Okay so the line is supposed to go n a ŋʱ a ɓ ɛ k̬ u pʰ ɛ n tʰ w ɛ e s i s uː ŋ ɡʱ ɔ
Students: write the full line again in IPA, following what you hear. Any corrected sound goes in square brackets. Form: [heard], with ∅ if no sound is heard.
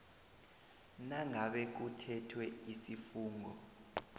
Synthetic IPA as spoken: n a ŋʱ a ɓ ɛ k̬ u [tʰ] ɛ [∅] tʰ w ɛ [i] s i [f] uː ŋ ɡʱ ɔ

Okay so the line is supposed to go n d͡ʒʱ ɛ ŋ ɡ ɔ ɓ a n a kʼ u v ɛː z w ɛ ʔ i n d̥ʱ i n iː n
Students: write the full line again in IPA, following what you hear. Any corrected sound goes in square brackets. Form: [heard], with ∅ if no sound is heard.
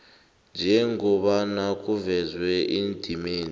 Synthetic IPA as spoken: n d͡ʒʱ ɛ ŋ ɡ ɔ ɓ a n a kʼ u v [ɛ] z w ɛ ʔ i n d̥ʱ i [m] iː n

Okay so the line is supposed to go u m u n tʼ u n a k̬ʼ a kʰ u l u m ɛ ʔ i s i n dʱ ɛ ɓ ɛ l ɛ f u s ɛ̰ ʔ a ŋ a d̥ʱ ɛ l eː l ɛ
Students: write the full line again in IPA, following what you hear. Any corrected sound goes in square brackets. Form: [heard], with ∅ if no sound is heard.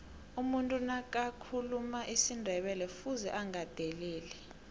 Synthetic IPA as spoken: u m u n tʼ u n a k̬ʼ a kʰ u l u m [a] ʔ i s i n dʱ ɛ ɓ ɛ l ɛ f u [z] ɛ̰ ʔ a ŋ a d̥ʱ ɛ l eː l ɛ

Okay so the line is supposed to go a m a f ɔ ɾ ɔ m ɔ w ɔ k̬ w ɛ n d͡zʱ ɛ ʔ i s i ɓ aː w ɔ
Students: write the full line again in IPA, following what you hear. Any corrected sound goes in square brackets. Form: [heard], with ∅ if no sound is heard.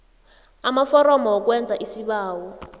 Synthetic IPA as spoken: a m a f ɔ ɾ ɔ m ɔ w ɔ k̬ w ɛ n d͡zʱ [a] ʔ i s i ɓ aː w ɔ

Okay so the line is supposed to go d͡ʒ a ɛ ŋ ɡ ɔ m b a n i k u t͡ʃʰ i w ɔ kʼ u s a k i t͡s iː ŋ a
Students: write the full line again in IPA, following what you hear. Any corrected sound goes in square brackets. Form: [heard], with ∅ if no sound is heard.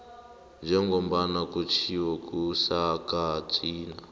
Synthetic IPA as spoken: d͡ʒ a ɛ ŋ ɡ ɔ m b a n [a] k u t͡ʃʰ i w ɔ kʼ u s a k [a] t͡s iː [n] a

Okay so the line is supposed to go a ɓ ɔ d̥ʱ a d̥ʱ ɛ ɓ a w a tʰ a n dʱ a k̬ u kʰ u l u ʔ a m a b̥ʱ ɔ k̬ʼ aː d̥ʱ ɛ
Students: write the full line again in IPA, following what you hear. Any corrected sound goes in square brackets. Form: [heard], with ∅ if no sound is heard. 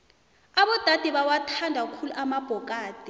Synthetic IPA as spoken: a ɓ ɔ d̥ʱ a d̥ʱ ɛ ɓ a w a tʰ a n dʱ a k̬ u kʰ u l u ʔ a m a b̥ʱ ɔ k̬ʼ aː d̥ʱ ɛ

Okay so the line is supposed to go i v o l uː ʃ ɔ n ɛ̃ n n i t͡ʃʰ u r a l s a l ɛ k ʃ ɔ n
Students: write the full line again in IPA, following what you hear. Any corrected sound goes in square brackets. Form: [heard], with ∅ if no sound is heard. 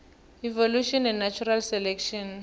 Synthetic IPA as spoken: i v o l [u] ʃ ɔ n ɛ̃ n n [a] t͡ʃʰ u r a l s [ɛ] l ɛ k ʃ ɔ n

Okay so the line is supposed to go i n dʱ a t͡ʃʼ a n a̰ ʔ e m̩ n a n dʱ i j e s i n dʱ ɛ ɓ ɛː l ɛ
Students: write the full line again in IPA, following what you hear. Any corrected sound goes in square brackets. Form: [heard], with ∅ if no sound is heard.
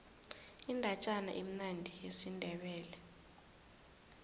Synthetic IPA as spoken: i n dʱ a t͡ʃʼ a n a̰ ʔ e m̩ n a n dʱ i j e s i n dʱ ɛ ɓ ɛː l ɛ

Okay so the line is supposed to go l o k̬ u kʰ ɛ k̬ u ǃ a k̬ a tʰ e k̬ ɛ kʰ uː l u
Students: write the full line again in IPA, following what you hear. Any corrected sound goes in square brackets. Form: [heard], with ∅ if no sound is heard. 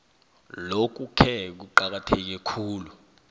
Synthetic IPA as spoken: l o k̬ u kʰ ɛ k̬ u ǃ a k̬ a tʰ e k̬ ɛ kʰ uː l u

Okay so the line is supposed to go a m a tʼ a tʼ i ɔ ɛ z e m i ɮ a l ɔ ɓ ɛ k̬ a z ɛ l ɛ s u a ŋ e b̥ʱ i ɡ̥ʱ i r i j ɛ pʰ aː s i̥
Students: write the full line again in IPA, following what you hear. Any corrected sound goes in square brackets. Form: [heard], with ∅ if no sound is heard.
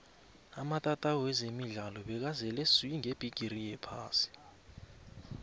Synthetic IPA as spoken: a m a tʼ a tʼ [a] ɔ ɛ z e m i ɮ a l ɔ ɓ ɛ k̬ a z ɛ l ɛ s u [i] ŋ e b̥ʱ i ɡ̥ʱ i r i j ɛ pʰ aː s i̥

